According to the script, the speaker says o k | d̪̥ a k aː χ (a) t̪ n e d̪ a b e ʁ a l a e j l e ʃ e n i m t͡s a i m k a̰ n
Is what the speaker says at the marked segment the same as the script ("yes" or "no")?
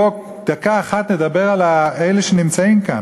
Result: yes